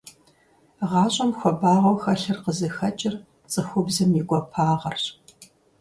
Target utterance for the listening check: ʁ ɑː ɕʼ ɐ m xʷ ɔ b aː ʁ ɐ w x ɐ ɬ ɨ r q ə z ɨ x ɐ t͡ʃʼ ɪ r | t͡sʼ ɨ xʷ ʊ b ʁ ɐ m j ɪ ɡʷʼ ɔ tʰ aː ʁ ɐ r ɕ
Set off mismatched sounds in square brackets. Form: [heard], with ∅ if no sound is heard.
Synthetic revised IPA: ʁ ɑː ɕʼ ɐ m xʷ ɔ b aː ʁ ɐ w x ɐ ɬ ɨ r q ə z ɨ x ɐ t͡ʃʼ ɪ r | t͡sʼ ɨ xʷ ʊ b [z] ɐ m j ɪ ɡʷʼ ɔ [pʰ] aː ʁ ɐ r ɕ